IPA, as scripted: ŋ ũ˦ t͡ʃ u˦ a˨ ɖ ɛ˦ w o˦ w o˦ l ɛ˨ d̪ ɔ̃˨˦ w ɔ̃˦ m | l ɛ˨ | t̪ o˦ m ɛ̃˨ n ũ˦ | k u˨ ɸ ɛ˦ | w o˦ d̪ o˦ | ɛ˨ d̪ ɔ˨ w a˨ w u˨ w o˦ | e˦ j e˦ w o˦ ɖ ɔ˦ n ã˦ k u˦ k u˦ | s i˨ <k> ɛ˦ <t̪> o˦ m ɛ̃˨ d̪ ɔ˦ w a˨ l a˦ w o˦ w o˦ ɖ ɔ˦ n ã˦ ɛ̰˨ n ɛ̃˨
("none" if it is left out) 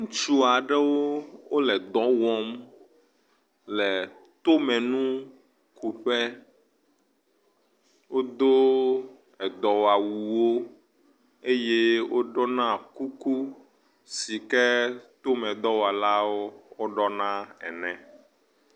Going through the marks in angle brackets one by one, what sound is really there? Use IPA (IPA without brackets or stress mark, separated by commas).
k, t̪